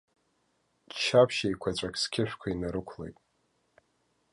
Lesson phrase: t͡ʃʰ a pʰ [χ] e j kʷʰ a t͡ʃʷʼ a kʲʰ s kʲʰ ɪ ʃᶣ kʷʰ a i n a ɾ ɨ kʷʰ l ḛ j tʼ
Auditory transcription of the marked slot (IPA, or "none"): ʃ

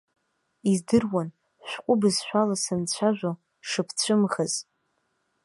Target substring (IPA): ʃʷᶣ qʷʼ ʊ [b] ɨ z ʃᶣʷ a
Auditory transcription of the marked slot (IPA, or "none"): b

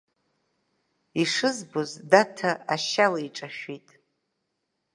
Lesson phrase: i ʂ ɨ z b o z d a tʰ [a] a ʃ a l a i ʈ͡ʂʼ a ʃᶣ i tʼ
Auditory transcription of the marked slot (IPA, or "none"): a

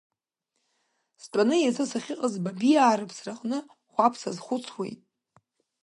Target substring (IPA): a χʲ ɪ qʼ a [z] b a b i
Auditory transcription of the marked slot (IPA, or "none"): z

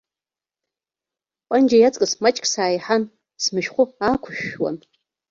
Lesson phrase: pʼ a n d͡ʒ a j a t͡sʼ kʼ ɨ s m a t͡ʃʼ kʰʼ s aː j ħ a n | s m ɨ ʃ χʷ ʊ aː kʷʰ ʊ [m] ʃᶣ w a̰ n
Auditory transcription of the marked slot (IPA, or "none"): none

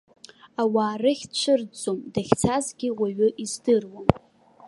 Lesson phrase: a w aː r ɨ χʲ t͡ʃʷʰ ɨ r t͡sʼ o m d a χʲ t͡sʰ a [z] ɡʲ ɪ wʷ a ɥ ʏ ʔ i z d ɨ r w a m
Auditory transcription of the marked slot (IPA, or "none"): z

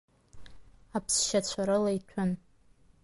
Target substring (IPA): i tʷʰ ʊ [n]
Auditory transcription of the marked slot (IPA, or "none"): n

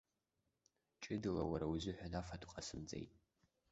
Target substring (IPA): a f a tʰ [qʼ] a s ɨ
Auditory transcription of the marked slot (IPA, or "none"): qʼ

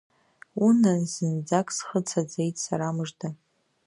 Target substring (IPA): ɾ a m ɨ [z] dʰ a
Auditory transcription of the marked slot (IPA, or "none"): ʐ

